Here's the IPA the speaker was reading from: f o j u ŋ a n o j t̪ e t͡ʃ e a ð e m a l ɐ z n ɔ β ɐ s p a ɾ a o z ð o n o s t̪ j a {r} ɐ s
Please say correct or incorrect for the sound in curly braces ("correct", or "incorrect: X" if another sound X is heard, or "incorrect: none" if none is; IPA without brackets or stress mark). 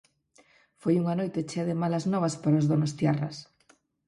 correct